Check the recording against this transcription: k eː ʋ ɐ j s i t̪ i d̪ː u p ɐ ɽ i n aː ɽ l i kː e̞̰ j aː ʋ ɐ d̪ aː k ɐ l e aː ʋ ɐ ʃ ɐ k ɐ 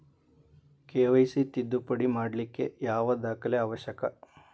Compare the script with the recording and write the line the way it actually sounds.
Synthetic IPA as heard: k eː ʋ ɐ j s i t̪ i d̪ː u p ɐ ɽ i m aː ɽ l i kː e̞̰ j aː ʋ ɐ d̪ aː k ɐ l e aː ʋ ɐ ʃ ɐ k ɐ